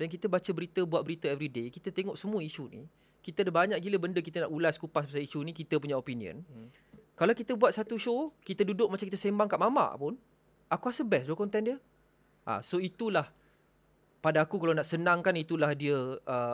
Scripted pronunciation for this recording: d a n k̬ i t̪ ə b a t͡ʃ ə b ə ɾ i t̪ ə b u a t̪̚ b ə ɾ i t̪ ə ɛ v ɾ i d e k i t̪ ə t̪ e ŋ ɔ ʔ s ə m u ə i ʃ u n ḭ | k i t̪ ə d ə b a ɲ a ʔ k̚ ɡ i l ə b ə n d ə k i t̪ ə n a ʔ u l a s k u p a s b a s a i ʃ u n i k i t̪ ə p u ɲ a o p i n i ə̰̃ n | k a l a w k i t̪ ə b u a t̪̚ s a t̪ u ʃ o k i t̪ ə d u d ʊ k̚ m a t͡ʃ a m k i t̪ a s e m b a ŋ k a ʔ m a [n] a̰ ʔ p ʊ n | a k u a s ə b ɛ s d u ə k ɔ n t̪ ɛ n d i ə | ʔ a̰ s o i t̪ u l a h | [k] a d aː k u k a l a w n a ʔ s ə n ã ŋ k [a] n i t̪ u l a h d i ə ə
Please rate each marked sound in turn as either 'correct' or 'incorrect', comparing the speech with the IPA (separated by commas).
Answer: incorrect, incorrect, correct